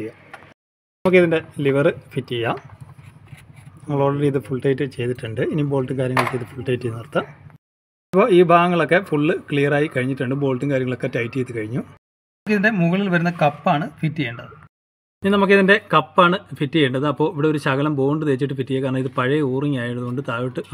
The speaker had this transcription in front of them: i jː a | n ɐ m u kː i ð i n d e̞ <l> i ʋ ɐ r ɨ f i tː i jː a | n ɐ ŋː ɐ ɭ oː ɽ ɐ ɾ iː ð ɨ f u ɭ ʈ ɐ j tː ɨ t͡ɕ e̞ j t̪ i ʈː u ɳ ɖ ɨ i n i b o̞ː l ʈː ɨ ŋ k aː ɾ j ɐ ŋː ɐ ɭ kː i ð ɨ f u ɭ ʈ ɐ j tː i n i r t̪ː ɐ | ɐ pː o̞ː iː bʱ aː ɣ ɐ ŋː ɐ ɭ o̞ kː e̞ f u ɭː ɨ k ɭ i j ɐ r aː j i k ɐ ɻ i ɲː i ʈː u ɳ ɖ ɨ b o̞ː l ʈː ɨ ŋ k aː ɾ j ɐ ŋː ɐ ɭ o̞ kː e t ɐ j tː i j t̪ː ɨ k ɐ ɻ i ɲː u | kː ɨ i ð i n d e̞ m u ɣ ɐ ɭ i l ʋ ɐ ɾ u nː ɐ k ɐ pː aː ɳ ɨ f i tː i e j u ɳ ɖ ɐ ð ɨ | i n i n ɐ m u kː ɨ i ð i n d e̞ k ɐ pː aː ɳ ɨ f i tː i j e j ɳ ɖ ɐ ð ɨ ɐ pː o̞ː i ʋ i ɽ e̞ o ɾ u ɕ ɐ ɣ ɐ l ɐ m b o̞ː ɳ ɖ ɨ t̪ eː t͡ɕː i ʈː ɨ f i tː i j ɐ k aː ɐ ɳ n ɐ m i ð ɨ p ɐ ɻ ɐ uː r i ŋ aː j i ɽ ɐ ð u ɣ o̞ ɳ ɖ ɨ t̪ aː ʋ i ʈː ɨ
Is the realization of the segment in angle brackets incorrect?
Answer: no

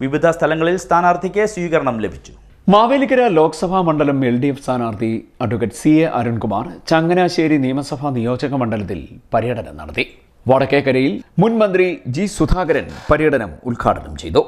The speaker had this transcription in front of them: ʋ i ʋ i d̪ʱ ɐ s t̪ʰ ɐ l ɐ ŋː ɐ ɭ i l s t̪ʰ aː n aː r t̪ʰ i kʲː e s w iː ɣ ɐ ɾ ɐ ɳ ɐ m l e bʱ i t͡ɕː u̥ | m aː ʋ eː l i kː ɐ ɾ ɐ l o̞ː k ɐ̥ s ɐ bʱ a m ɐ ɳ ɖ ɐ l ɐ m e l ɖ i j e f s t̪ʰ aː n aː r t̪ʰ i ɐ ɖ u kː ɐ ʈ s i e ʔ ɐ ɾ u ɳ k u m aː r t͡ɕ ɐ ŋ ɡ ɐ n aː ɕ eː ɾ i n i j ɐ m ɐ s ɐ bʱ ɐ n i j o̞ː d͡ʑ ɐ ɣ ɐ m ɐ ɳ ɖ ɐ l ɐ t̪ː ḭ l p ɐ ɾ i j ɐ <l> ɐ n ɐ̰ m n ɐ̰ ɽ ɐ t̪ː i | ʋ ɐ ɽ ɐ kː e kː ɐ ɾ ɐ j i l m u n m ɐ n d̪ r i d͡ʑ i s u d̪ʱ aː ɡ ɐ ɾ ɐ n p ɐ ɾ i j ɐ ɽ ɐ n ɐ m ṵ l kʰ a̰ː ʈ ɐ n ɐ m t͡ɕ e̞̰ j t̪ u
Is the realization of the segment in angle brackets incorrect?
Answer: yes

